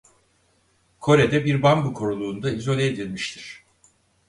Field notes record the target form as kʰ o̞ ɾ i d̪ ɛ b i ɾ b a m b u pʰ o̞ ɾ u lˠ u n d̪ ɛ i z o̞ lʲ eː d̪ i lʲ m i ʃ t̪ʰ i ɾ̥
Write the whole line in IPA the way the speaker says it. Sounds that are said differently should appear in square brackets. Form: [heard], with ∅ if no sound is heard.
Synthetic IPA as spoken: kʰ o̞ ɾ [e] d̪ ɛ b i ɾ b a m b u [kʰ] o̞ ɾ u lˠ [uː] n d̪ [a] i z o̞ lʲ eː d̪ i lʲ m i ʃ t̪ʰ i ɾ̥